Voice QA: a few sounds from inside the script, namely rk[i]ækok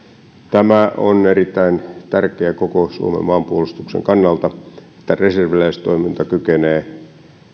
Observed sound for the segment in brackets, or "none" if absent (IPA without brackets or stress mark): e